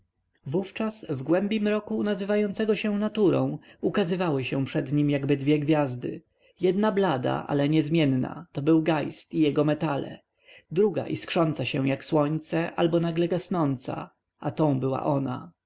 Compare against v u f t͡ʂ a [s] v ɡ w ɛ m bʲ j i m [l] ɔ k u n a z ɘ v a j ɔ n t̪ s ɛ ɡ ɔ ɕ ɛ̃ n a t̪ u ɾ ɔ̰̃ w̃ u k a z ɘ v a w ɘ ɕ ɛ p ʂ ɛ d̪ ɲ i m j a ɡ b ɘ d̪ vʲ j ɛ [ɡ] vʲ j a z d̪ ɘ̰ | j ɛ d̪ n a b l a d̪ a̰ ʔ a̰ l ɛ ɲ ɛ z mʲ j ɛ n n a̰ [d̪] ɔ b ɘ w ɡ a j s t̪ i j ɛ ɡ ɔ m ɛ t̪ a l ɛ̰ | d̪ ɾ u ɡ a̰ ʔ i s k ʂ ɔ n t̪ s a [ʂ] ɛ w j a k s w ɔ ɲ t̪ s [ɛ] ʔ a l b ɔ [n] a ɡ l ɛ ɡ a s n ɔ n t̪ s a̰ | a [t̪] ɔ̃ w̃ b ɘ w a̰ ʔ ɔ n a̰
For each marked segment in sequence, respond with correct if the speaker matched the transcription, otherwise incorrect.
correct, incorrect: ɾ, correct, incorrect: t̪, incorrect: ɕ, correct, correct, correct

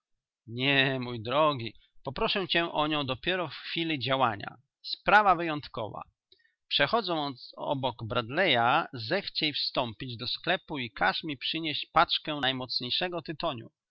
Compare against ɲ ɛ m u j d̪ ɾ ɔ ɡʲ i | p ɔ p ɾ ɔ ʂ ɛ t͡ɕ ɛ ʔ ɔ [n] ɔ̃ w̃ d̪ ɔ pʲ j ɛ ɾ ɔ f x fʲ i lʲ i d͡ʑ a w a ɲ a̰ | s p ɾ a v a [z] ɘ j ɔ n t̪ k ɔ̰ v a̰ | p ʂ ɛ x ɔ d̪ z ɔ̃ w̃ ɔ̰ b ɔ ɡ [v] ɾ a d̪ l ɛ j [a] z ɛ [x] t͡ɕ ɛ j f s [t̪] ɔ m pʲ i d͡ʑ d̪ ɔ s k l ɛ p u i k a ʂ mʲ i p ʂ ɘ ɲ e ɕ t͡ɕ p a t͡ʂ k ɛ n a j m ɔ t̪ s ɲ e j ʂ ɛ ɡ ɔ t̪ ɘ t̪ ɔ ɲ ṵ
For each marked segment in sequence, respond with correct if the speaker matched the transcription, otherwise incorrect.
incorrect: ɲ, incorrect: v, incorrect: b, correct, correct, correct

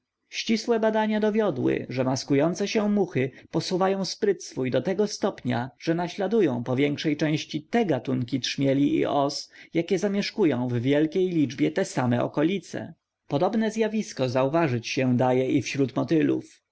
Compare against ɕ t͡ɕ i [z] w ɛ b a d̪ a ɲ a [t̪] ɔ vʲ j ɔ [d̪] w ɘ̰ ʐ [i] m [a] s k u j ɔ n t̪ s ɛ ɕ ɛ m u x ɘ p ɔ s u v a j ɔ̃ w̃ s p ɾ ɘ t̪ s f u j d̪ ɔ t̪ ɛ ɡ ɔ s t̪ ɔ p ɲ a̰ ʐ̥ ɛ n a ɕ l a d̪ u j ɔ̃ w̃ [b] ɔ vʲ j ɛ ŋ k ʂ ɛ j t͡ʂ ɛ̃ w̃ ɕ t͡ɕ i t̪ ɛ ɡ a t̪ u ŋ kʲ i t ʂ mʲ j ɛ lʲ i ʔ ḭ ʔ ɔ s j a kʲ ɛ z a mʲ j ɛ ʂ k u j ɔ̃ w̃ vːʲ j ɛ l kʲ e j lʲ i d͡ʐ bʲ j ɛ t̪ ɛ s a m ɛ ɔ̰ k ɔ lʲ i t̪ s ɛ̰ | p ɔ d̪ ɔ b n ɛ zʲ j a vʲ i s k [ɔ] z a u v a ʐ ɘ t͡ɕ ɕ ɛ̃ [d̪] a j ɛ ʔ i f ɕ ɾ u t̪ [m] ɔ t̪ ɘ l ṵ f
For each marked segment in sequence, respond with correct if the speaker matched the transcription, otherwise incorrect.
incorrect: s, incorrect: d̪, correct, incorrect: ɛ, correct, incorrect: p, correct, correct, correct

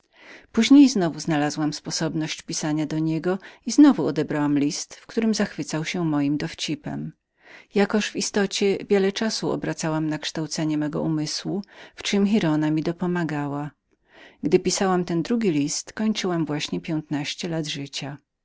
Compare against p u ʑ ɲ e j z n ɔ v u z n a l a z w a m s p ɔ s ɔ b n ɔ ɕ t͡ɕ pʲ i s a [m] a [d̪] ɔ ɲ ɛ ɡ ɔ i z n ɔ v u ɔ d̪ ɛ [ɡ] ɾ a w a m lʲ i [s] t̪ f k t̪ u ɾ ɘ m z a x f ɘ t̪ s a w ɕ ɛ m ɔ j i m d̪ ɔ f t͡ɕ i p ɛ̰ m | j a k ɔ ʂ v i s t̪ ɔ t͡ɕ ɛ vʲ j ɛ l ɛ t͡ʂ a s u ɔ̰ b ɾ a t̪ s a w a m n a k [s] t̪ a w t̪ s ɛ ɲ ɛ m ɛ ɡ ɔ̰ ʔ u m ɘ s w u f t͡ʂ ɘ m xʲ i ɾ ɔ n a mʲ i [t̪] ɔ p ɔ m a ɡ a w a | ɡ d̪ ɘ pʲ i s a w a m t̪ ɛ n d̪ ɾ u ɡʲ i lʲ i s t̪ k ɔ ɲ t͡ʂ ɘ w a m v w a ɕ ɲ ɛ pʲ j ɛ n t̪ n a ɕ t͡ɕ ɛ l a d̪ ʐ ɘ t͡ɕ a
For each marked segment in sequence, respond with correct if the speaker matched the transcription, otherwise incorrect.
incorrect: ɲ, correct, incorrect: b, correct, incorrect: ʂ, incorrect: d̪

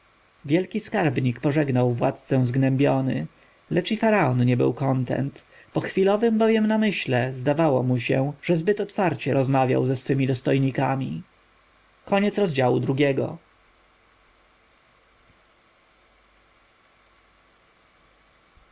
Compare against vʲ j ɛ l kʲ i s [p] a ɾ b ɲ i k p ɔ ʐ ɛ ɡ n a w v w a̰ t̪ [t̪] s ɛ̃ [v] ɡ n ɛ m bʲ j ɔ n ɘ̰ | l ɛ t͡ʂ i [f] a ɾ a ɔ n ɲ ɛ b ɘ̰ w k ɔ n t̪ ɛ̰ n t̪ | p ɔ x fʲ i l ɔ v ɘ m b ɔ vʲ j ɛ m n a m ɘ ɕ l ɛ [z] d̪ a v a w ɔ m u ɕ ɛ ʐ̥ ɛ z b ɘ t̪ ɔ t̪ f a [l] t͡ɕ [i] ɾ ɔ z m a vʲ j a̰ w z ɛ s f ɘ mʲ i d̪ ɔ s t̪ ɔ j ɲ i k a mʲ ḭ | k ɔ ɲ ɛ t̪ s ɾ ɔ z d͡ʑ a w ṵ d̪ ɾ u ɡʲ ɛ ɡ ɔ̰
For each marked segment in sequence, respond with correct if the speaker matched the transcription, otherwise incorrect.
incorrect: k, correct, incorrect: z, correct, correct, incorrect: ɾ, incorrect: ɛ

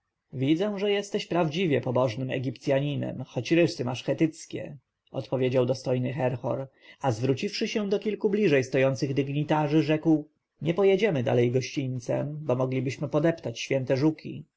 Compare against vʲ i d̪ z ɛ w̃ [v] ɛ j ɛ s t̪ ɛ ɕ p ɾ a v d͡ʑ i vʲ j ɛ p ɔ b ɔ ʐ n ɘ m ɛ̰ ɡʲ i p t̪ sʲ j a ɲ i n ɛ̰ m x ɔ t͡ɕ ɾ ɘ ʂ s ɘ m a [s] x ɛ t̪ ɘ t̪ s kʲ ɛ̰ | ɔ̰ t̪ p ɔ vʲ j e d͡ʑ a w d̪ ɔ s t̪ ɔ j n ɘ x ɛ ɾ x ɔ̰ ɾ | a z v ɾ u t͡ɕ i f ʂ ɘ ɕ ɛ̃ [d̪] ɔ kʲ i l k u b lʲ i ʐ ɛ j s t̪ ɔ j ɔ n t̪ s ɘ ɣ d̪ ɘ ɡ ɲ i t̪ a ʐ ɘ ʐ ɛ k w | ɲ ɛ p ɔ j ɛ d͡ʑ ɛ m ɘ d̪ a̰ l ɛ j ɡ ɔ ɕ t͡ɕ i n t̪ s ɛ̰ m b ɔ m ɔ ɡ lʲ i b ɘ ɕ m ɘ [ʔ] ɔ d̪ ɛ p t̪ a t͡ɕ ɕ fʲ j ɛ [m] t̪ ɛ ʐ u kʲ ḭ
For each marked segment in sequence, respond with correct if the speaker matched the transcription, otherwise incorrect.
incorrect: ʐ, incorrect: ʂ, correct, incorrect: p, incorrect: n

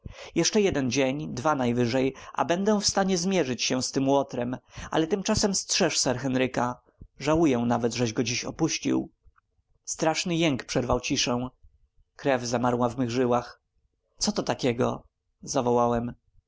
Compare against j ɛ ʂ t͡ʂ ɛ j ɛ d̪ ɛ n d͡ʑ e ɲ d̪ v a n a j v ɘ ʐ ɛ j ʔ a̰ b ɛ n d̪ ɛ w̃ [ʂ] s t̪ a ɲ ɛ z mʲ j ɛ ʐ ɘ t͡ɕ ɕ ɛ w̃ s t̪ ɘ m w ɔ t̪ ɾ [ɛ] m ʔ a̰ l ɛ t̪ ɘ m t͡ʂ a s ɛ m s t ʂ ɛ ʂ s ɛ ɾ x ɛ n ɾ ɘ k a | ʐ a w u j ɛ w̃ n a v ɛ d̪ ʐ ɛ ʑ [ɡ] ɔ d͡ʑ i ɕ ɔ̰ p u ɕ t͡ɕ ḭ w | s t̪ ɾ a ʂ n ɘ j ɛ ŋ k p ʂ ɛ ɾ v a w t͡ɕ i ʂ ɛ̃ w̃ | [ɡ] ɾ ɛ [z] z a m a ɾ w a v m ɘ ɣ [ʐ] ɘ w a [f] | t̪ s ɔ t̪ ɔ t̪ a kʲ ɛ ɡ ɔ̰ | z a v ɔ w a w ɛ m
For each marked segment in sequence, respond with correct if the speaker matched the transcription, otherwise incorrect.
incorrect: f, correct, correct, incorrect: k, incorrect: v, correct, incorrect: x

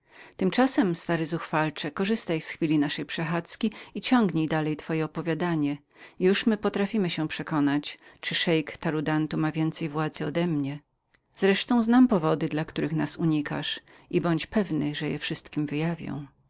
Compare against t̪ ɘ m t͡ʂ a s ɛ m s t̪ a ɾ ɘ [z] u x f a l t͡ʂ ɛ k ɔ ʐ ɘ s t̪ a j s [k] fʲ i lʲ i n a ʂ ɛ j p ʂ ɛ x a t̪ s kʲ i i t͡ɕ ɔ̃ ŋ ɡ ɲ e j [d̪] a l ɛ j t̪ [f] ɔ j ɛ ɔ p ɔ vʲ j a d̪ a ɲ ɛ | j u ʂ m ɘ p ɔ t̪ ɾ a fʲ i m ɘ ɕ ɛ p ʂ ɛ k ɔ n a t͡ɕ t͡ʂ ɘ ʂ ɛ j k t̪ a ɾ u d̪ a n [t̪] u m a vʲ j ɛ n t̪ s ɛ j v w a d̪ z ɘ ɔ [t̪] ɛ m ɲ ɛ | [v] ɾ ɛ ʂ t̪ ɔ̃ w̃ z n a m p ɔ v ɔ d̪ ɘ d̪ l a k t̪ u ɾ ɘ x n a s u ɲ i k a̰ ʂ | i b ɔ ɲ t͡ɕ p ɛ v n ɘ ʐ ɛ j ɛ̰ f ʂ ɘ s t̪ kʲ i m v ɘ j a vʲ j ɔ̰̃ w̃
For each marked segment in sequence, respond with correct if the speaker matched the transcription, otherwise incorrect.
correct, incorrect: x, correct, correct, correct, incorrect: d̪, incorrect: z

